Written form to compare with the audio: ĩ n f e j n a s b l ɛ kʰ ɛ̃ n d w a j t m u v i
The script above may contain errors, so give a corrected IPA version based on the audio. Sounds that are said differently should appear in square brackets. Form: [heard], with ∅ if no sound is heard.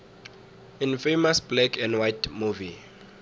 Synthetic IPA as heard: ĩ n f e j [m] a s b l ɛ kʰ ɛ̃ n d w a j t m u v i